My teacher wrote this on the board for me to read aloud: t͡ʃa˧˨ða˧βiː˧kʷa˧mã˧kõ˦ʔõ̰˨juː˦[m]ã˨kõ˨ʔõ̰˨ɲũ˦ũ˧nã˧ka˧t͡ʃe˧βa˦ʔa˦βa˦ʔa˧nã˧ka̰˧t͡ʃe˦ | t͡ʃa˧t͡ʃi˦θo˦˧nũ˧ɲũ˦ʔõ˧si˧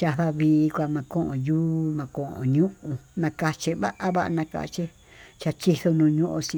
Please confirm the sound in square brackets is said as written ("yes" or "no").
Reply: yes